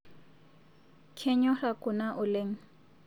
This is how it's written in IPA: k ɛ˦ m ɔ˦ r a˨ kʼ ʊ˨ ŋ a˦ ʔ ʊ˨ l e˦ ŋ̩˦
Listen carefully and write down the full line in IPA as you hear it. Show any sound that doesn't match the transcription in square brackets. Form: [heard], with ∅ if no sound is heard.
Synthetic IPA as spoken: [kʰ] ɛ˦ [ɲ] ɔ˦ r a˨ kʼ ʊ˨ [n] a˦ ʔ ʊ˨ l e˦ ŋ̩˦